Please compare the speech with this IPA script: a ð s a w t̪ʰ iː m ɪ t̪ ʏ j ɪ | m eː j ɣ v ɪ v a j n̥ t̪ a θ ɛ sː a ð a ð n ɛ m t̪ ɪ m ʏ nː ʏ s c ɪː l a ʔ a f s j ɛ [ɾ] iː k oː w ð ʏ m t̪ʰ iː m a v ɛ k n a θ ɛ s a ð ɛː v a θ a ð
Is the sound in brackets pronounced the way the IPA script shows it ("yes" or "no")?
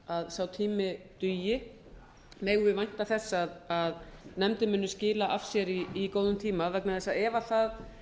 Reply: yes